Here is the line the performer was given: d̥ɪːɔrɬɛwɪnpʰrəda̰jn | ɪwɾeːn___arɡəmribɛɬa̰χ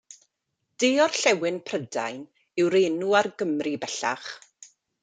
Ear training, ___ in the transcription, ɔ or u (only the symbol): u